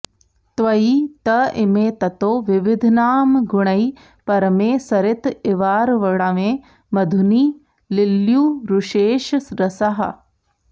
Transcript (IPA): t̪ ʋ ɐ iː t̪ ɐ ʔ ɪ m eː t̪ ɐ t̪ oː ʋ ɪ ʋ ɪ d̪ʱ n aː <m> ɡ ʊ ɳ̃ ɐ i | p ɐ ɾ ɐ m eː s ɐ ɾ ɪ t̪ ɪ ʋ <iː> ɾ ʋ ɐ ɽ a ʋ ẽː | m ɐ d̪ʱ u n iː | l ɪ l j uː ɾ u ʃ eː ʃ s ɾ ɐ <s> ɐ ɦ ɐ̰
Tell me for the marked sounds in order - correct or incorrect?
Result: correct, incorrect, correct

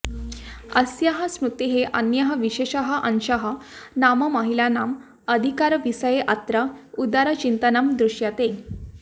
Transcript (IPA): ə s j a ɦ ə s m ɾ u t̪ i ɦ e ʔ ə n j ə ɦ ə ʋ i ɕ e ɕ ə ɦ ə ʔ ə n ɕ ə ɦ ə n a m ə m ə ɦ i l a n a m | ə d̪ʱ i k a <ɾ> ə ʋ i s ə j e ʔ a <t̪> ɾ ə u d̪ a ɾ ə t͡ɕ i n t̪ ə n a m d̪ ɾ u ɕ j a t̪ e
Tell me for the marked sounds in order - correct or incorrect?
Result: correct, correct

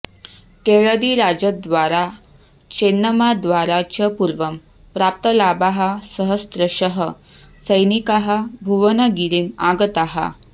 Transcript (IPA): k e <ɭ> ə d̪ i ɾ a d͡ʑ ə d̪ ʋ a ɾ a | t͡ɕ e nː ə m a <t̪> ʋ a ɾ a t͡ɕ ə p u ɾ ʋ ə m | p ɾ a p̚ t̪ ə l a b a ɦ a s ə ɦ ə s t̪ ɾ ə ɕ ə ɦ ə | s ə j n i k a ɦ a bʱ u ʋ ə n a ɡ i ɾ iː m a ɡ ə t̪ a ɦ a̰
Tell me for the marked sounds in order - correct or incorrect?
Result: correct, incorrect

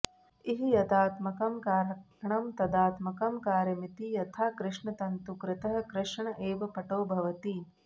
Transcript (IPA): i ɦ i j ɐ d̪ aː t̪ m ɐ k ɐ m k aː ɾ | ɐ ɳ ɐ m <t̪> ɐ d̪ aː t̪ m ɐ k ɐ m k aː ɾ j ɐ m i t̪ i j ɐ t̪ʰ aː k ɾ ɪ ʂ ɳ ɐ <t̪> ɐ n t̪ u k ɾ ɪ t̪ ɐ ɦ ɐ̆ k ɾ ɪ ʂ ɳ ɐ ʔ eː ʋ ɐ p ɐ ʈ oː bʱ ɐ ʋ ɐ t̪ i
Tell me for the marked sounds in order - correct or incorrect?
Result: correct, correct

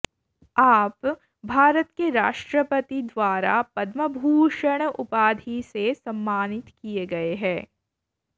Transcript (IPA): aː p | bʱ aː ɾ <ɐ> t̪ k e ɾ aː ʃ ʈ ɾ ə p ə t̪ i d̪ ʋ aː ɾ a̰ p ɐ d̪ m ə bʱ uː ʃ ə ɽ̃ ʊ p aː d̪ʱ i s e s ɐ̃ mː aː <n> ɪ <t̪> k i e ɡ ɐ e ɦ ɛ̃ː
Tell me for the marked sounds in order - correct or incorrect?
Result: incorrect, correct, correct

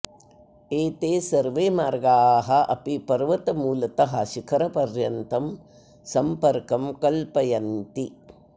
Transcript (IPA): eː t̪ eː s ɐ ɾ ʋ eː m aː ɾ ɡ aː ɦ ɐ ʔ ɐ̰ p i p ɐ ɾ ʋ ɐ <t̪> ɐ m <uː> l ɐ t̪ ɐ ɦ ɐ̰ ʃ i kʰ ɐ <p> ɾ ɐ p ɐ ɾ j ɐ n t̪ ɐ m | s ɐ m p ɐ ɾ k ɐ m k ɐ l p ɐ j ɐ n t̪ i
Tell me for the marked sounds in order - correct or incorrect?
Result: correct, correct, incorrect

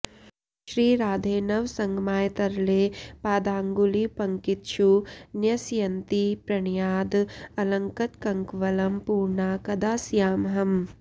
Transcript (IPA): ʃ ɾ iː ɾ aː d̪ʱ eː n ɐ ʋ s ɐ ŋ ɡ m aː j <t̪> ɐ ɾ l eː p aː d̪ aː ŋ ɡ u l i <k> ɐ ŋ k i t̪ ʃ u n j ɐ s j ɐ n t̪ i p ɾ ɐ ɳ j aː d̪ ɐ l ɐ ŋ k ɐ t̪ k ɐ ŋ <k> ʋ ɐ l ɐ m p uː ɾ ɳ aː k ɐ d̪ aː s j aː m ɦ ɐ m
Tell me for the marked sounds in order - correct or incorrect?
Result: correct, incorrect, correct

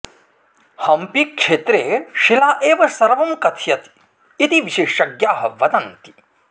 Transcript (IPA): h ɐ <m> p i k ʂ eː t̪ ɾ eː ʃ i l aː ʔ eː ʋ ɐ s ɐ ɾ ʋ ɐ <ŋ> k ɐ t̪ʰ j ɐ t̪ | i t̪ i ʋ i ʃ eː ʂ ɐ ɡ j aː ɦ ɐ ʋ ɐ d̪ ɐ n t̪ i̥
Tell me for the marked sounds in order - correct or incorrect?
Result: correct, incorrect

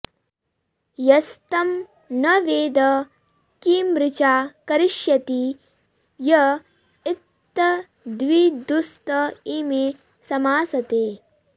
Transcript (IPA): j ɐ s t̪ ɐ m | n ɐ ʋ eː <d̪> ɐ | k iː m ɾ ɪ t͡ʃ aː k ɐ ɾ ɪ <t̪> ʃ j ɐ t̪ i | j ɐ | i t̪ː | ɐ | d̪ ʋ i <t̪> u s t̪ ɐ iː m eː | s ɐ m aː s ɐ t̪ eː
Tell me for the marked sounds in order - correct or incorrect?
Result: correct, incorrect, incorrect

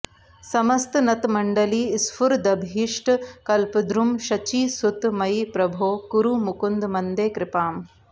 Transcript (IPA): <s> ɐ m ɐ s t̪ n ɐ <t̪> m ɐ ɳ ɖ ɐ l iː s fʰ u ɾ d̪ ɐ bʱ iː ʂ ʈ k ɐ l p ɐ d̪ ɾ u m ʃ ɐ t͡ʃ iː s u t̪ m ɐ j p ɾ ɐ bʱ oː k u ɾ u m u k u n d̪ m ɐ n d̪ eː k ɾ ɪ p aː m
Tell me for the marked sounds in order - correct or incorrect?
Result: correct, correct

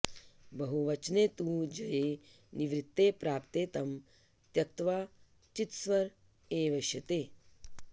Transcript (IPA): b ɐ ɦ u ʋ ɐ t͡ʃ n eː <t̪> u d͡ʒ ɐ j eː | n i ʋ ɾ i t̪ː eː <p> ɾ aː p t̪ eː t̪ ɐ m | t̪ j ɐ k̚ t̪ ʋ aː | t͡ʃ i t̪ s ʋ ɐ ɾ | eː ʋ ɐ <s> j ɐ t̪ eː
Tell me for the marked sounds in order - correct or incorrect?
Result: correct, correct, incorrect

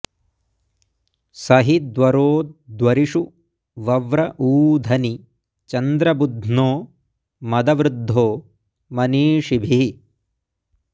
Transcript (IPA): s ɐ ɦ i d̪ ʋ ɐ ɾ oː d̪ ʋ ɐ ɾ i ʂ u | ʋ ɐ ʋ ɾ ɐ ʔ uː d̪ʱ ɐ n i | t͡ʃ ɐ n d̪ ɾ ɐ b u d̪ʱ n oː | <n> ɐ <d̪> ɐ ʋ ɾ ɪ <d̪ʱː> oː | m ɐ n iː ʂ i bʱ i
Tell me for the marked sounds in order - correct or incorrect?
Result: incorrect, correct, correct

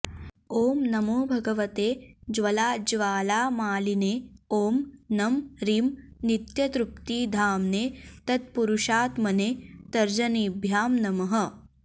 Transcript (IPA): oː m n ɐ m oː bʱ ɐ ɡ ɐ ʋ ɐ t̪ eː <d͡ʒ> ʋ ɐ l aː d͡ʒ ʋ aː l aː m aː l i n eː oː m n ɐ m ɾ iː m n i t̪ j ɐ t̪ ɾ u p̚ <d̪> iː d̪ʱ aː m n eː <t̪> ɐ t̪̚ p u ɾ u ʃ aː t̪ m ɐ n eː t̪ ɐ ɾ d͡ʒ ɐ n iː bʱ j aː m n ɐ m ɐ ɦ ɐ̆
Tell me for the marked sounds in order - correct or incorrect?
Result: correct, incorrect, correct

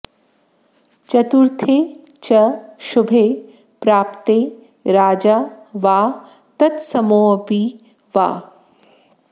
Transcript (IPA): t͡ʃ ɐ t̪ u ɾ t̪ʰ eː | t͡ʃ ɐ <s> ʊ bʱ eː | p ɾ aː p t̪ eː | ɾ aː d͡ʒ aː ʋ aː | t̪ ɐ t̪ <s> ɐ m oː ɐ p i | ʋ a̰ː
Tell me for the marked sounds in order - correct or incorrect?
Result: incorrect, correct

